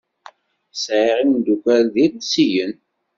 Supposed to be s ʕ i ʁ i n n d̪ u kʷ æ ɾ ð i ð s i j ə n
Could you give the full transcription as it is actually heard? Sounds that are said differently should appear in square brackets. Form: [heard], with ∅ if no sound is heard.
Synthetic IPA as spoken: s ʕ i ʁ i n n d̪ u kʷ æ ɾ ð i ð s i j ə n